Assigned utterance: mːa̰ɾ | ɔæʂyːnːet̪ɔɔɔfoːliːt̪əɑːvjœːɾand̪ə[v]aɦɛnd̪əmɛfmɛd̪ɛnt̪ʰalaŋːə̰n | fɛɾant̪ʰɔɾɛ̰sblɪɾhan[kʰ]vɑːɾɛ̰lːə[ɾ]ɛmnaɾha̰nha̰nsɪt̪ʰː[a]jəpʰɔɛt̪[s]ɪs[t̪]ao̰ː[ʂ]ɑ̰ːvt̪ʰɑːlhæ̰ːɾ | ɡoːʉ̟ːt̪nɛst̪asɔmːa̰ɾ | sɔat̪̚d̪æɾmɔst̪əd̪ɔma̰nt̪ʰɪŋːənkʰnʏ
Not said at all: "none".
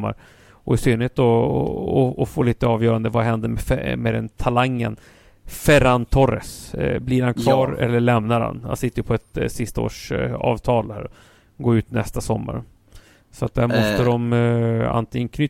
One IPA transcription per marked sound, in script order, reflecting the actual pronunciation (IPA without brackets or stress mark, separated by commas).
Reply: v, kʰ, ɭ, ə, s, t̪, ʂ